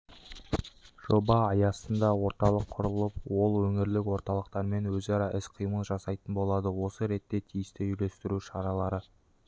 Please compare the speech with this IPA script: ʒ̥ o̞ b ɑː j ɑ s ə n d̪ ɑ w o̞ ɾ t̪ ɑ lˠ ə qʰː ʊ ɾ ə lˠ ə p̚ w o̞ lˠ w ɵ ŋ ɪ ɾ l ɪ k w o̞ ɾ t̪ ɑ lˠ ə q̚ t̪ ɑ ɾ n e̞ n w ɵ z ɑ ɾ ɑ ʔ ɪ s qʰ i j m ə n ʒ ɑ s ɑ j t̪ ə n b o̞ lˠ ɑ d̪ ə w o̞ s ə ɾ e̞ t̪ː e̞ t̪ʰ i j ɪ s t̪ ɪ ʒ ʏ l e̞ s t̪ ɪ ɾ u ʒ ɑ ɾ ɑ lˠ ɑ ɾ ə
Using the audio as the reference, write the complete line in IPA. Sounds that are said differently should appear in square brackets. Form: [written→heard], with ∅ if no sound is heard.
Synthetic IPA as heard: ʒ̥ o̞ b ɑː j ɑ s ə n d̪ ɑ w o̞ ɾ t̪ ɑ lˠ ə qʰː ʊ ɾ ə lˠ ə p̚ w o̞ lˠ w ɵ ŋ ɪ ɾ l ɪ k w o̞ ɾ t̪ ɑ lˠ ə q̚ t̪ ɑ ɾ [n→m] e̞ n w ɵ z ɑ ɾ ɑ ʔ ɪ s qʰ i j m ə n ʒ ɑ s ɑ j t̪ ə n b o̞ lˠ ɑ d̪ ə w o̞ s ə ɾ e̞ t̪ː e̞ t̪ʰ i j ɪ s t̪ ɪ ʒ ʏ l e̞ s t̪ ɪ ɾ u [ʒ→ʃ] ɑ ɾ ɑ lˠ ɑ ɾ ə